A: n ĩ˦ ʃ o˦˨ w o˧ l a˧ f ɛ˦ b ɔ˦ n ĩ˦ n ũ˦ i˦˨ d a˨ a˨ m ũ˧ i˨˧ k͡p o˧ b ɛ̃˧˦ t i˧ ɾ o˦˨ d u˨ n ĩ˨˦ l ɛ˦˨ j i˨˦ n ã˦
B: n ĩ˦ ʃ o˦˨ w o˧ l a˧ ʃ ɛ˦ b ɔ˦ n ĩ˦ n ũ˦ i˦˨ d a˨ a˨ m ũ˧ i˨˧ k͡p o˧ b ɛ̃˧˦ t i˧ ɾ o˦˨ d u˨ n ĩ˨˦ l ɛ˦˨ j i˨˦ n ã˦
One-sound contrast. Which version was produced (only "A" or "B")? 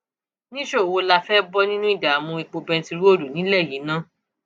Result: A